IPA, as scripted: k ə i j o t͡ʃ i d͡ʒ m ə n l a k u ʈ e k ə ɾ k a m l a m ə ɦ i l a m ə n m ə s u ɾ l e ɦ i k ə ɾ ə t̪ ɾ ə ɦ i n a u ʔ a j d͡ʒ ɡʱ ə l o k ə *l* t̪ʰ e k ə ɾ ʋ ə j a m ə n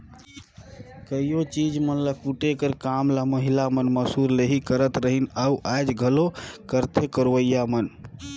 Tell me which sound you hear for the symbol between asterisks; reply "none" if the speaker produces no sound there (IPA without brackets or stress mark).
ɾ